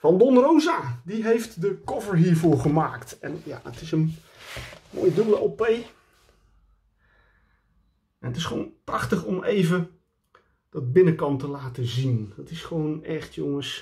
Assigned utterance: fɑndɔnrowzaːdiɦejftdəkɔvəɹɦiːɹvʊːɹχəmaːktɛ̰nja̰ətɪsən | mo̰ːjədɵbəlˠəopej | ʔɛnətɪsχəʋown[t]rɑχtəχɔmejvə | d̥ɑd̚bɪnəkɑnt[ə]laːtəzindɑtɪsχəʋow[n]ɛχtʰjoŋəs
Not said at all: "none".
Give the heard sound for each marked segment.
p, ə, n

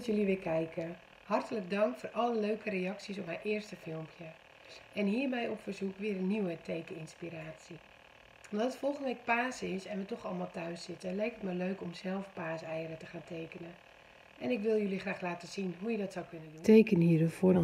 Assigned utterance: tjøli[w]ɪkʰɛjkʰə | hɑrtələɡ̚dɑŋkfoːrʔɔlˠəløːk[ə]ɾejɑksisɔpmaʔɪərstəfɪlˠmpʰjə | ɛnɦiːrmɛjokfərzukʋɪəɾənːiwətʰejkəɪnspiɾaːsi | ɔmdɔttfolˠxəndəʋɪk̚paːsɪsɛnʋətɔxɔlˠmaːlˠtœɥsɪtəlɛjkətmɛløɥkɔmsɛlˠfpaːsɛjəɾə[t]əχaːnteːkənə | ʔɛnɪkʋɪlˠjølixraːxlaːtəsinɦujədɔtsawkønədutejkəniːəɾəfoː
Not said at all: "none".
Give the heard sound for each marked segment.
ʋ, ə, t

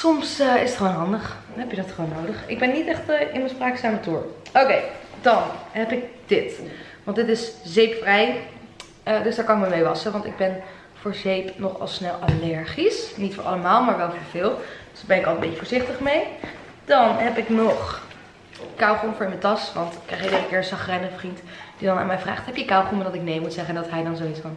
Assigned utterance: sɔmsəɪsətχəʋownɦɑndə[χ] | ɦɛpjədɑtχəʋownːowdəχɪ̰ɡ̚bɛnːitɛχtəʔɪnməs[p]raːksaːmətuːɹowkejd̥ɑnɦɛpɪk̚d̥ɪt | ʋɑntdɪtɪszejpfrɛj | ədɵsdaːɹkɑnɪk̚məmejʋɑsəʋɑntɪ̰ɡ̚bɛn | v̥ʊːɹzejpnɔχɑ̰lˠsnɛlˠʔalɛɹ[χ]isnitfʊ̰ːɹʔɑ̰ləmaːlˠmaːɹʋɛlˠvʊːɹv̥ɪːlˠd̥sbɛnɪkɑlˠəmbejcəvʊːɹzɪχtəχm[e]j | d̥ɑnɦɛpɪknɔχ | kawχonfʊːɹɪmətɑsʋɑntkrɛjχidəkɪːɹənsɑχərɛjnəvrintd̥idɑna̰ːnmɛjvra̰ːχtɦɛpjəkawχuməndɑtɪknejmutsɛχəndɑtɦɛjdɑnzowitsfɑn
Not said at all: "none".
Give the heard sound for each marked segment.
χ, p, χ, e

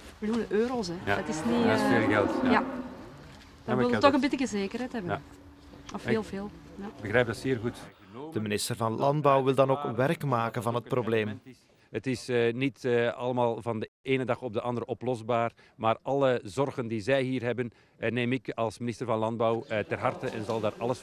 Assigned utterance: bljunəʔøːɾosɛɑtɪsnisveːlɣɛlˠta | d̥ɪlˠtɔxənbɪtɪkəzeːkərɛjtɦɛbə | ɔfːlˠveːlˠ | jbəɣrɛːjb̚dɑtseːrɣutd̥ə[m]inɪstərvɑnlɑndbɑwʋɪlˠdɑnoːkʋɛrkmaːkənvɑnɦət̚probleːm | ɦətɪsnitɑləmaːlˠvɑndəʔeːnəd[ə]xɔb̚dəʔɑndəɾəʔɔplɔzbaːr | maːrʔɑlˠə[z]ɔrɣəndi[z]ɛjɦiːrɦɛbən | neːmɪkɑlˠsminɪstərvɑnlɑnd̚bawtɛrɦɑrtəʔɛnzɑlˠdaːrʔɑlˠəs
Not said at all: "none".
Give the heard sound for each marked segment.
m, ɑ, z, z

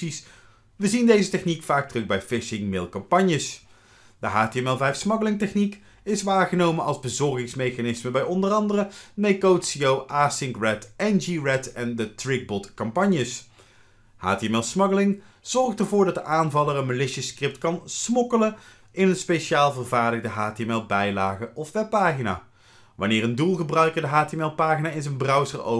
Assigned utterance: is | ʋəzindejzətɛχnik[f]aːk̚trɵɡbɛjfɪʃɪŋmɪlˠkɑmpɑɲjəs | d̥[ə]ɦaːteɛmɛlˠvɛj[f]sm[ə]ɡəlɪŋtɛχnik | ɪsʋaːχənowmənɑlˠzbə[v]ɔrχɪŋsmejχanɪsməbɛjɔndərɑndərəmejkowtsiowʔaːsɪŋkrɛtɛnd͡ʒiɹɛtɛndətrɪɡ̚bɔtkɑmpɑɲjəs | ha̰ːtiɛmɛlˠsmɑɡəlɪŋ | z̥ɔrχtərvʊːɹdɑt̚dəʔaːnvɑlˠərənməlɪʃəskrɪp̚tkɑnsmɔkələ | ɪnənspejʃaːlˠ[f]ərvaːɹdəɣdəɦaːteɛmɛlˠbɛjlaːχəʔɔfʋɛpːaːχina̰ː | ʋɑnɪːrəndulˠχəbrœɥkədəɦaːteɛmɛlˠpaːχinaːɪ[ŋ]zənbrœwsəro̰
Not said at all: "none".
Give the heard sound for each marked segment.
f, ə, f, ɑ, z, v, n

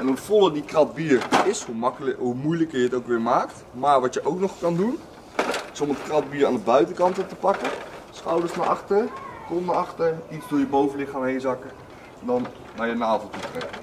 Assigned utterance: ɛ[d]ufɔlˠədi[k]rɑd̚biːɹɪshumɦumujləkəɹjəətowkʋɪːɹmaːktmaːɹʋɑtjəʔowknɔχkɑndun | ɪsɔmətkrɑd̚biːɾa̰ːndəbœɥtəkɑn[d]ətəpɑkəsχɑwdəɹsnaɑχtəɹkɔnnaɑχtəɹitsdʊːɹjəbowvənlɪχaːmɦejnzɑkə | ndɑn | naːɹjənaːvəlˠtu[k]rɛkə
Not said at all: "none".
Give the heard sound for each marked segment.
n, k, t, t

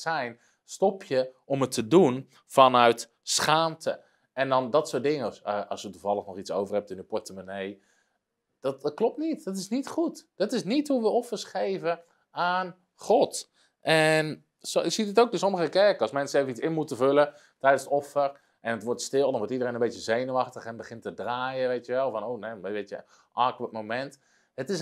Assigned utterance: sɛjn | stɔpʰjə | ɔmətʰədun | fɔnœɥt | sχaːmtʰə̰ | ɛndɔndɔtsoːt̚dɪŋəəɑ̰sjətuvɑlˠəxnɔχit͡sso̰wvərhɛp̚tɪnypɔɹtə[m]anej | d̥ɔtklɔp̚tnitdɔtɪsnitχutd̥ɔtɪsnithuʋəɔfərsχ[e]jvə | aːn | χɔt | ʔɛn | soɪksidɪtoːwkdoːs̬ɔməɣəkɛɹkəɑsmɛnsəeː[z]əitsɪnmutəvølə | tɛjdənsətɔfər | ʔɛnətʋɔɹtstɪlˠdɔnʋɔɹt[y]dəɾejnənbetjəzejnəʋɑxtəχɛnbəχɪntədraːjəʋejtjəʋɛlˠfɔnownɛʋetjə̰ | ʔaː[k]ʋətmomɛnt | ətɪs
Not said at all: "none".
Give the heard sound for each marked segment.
m, e, v, i, k

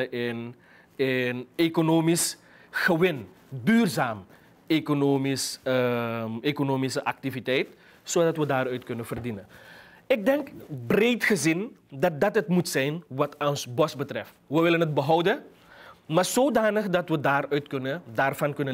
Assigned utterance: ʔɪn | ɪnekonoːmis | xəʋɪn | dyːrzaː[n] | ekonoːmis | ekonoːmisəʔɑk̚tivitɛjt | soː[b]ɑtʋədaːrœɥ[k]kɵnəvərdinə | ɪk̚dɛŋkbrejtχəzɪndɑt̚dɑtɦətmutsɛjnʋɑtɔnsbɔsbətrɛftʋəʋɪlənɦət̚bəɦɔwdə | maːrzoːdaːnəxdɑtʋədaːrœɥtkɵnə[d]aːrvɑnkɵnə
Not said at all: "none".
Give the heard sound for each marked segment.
m, d, t, d

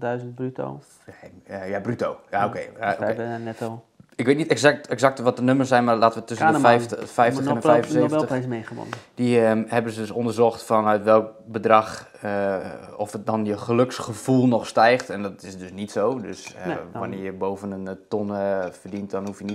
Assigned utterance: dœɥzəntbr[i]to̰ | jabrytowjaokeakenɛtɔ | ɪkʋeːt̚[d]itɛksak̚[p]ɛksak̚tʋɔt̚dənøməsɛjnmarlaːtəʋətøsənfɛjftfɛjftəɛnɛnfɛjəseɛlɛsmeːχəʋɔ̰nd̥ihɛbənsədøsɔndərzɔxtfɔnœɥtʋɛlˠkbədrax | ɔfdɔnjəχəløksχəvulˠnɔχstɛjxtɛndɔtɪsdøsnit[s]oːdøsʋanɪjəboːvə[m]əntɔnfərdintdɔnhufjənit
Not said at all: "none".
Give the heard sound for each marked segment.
y, n, t, s, n

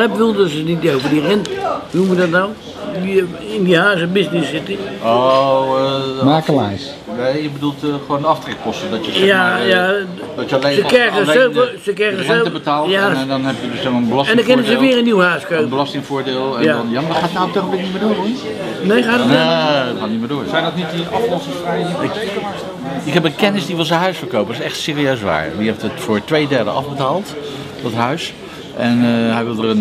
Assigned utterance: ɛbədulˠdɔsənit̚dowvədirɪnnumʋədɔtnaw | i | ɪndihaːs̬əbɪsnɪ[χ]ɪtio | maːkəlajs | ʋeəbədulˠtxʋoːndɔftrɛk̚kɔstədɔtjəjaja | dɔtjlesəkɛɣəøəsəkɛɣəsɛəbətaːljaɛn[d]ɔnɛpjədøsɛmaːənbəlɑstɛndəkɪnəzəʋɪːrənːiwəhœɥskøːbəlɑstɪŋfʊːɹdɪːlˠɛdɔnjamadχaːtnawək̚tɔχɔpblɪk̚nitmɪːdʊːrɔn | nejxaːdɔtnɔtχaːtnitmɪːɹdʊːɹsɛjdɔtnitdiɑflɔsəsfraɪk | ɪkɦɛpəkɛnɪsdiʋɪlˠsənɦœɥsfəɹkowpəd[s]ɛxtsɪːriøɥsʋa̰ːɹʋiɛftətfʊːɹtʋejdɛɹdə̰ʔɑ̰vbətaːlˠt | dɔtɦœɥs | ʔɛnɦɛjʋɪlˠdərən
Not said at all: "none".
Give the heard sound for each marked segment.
s, d, s

